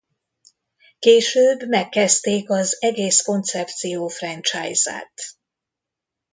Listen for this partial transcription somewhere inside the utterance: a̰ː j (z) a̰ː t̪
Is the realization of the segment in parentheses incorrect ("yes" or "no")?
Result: no